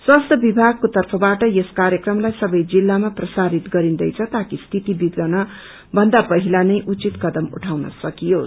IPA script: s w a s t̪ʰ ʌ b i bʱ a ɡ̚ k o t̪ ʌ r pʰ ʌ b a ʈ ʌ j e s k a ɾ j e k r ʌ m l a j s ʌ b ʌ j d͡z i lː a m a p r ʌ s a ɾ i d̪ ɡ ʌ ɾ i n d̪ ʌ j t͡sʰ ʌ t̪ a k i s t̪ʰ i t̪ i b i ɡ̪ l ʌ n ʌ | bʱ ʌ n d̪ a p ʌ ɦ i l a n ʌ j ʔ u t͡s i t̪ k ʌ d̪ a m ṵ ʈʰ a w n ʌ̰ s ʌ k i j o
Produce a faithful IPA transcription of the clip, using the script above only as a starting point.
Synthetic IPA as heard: s w a s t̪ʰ ʌ b i bʱ a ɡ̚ k o t̪ ʌ r pʰ ʌ b a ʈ ʌ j e s k a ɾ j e k r ʌ m l a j s ʌ b ʌ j d͡z i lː a m a p r ʌ s a ɾ i t̪ ɡ ʌ ɾ i n d̪ ʌ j t͡sʰ ʌ t̪ a k i s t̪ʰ i t̪ i b i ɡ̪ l ʌ n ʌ | bʱ ʌ n d̪ a p ʌ ɦ i l a n ʌ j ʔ u t͡s i t̪ k ʌ d̪ ʌ m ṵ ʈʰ a w n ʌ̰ s ʌ k i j o